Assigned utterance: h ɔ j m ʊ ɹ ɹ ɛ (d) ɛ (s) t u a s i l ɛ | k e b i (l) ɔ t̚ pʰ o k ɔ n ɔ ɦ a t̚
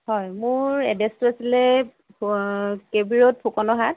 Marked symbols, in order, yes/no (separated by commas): yes, yes, no